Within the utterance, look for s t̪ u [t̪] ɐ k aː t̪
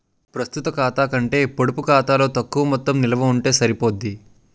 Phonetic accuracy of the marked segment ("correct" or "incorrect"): correct